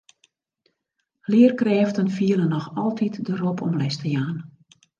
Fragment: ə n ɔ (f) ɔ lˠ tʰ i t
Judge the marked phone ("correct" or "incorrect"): incorrect